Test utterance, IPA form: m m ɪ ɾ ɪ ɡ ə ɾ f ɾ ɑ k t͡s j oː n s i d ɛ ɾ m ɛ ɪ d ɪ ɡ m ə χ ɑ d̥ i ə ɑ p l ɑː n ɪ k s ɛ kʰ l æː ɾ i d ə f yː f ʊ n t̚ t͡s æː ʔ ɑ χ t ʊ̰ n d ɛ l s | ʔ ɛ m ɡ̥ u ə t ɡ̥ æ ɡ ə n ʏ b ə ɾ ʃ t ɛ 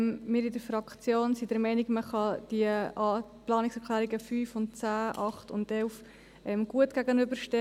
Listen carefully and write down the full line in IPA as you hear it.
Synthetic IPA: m m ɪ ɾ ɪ d ə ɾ f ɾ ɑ k t͡s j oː n s i d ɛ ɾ m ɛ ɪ n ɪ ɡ m ə χ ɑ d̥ i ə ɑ p l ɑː n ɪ k s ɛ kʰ l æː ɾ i ɡ ə f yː f ʊ n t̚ t͡s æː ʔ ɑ χ t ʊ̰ n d ɛ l f | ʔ ɛ m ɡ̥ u ə t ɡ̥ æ ɡ ə n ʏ b ə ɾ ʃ t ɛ